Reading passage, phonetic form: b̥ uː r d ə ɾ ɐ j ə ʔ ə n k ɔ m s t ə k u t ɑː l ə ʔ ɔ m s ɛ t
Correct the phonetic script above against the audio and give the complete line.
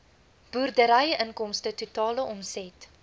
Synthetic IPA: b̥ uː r d ə ɾ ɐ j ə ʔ ə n k ɔ m s t ə t u t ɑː l ə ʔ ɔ m s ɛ t